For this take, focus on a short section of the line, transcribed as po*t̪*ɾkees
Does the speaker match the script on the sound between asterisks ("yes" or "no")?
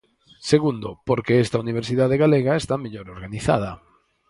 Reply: no